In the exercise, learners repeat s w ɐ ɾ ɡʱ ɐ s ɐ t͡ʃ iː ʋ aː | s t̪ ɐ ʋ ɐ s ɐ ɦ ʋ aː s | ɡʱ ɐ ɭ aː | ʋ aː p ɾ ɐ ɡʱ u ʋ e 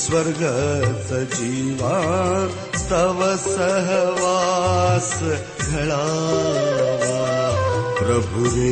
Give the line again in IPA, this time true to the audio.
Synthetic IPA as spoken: s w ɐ ɾ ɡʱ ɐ s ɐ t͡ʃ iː ʋ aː | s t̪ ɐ ʋ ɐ s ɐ ɦ ʋ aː s | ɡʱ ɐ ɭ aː | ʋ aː p ɾ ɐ bʱ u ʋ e